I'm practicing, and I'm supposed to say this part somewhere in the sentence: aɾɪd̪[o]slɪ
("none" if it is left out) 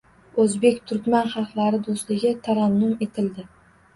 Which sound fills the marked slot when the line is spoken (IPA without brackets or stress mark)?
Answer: o